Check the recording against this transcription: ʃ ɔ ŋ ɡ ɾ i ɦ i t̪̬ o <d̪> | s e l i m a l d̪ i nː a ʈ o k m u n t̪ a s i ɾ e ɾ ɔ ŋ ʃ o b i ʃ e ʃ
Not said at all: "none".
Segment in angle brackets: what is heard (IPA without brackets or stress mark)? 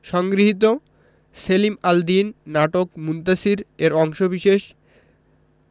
none